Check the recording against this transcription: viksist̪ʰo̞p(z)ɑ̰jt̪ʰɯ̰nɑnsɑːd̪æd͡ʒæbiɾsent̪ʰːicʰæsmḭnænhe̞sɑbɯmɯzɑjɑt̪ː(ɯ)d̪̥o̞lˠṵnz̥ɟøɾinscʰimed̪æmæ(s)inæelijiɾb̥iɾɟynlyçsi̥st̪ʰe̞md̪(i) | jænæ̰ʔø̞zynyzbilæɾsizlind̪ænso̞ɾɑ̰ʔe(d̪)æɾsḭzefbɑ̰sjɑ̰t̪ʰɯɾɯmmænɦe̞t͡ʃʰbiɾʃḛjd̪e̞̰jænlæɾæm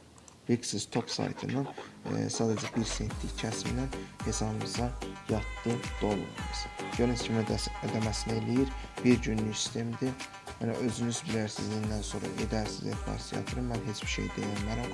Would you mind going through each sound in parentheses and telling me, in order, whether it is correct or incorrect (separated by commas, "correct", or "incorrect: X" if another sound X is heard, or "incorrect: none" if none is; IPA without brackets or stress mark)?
incorrect: s, correct, correct, correct, correct